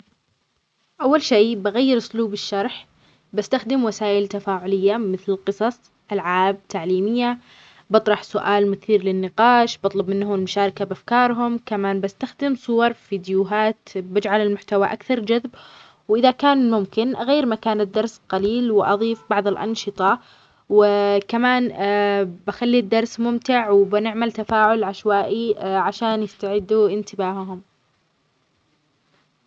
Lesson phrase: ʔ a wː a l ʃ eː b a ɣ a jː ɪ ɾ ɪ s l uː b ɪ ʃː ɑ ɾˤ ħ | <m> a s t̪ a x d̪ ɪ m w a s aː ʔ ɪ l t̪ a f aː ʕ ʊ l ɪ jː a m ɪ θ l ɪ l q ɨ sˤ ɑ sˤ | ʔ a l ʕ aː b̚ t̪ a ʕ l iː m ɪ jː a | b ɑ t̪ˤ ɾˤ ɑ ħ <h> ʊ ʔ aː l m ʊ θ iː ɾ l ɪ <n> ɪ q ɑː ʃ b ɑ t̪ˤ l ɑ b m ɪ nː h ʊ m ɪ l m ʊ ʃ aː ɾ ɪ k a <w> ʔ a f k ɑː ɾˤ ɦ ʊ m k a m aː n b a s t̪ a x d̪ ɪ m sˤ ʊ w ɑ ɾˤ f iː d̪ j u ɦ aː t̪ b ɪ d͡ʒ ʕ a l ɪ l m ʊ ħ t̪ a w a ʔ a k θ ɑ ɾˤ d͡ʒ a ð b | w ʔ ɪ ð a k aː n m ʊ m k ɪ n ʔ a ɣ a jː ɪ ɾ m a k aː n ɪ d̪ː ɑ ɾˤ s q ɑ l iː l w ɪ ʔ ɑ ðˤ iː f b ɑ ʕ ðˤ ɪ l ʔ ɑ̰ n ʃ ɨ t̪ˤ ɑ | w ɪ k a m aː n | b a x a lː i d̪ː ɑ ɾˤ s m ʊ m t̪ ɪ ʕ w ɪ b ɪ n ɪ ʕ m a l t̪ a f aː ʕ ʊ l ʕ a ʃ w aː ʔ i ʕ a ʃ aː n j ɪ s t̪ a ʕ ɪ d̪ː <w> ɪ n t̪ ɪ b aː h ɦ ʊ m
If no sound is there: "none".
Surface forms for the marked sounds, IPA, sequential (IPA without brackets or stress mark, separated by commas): b, s, nː, b, u